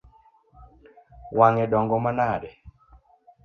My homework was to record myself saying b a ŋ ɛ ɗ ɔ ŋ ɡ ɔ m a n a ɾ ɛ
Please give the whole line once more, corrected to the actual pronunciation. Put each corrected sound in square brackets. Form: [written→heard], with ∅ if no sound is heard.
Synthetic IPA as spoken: [b→w] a ŋ ɛ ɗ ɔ ŋ ɡ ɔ m a n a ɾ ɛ